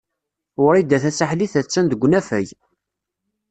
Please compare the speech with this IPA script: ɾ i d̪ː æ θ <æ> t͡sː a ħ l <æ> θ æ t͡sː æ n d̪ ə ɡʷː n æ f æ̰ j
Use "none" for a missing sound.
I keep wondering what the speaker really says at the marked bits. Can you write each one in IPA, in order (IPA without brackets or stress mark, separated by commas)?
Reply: æ, i